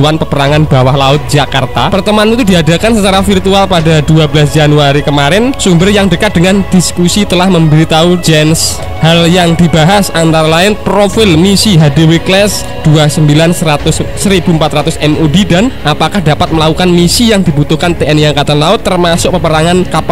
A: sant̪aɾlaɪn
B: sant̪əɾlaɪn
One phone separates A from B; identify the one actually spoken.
A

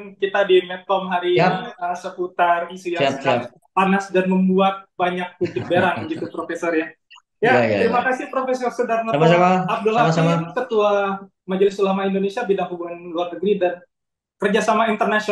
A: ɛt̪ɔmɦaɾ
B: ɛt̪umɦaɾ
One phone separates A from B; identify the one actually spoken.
A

